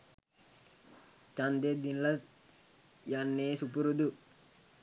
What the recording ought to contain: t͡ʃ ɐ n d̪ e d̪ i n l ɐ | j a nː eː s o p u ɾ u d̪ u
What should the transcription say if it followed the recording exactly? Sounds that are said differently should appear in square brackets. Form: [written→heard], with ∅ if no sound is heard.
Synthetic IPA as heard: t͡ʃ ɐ n d̪ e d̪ i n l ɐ | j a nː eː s [o→u] p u ɾ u d̪ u